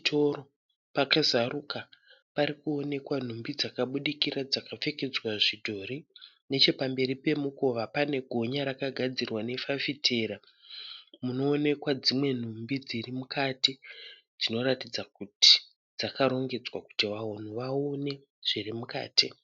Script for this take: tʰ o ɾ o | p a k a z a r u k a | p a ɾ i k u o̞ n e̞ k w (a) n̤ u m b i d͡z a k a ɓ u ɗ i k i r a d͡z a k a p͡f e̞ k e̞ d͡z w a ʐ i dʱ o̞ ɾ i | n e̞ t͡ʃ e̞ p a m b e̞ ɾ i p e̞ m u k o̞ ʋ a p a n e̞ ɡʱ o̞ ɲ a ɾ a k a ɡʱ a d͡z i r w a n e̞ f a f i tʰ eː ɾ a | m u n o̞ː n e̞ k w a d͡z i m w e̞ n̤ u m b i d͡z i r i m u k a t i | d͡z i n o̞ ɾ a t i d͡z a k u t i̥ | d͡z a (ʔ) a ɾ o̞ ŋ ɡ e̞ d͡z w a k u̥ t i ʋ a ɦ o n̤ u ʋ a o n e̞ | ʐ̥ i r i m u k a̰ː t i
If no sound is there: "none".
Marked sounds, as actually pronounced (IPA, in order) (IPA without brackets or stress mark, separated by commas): a, k